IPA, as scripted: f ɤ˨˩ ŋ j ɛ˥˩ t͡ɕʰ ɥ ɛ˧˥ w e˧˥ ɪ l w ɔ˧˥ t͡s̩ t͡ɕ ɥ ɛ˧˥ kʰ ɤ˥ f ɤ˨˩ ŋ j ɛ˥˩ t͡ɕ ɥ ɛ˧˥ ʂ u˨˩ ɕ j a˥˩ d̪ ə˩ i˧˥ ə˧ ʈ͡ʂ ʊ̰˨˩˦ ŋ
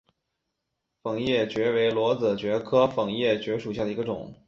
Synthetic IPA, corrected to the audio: f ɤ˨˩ ŋ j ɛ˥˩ t͡ɕ ɥ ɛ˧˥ w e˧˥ ɪ l w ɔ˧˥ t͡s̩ t͡ɕ ɥ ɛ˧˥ kʰ ɤ˥ f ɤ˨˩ ŋ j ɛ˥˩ t͡ɕ ɥ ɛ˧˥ ʂ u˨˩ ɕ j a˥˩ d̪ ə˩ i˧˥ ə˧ ʈ͡ʂ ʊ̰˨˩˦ ŋ